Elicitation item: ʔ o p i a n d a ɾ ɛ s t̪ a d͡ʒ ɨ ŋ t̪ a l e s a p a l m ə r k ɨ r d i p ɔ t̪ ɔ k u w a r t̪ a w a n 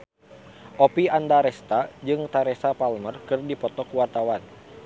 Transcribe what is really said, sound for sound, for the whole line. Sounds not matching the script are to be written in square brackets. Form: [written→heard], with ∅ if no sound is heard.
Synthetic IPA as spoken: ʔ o p i a n d a ɾ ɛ s t̪ a d͡ʒ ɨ ŋ t̪ a [l→ɾ] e s a p a l m ə r k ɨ r d i p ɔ t̪ ɔ k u w a r t̪ a w a n